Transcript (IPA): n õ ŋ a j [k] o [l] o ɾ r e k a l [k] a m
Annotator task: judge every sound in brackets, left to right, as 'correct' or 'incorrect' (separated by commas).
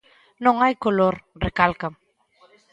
correct, correct, correct